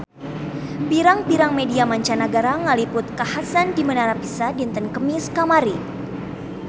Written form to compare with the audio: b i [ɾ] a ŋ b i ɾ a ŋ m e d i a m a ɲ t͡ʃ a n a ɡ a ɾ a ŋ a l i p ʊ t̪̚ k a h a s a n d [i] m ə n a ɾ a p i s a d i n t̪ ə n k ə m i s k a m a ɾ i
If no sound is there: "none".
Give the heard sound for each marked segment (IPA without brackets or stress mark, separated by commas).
ɾ, i